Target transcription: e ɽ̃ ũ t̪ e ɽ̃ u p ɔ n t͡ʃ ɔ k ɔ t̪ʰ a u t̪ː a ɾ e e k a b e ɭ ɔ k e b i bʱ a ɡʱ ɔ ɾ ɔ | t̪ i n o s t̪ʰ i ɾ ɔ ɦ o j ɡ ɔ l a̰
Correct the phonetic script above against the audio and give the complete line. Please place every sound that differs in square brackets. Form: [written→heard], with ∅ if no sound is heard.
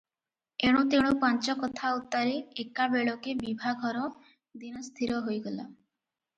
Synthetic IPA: e ɽ̃ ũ t̪ e ɽ̃ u p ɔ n t͡ʃ ɔ k ɔ t̪ʰ a u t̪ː a ɾ e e k a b e ɭ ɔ k e b i bʱ a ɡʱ ɔ ɾ ɔ | [t̪→d̪] i n [o→ɔ] s t̪ʰ i ɾ ɔ ɦ o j ɡ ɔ l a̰